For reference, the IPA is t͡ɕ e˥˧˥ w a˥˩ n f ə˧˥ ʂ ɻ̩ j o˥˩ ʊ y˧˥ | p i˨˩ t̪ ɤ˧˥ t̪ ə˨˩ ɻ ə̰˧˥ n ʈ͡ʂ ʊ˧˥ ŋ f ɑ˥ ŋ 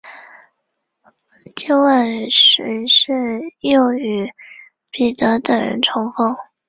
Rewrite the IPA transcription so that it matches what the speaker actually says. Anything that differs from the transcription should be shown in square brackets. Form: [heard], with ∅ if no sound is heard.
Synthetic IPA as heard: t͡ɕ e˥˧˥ w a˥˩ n [ʂ] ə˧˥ ʂ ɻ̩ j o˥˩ ʊ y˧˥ | p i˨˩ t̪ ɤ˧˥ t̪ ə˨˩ ɻ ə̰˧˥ n [ʈ͡ʂʰ] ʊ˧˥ ŋ f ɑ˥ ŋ